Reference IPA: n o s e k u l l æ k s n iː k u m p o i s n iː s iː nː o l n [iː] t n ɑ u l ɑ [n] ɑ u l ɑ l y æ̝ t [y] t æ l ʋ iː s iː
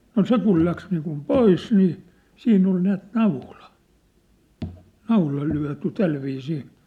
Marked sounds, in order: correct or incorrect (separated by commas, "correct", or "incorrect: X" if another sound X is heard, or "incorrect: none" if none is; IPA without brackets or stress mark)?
incorrect: æː, correct, correct